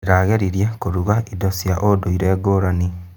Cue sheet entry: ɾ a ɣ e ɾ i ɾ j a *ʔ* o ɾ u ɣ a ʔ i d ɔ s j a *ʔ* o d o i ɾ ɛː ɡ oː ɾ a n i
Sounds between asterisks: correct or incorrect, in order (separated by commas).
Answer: incorrect, correct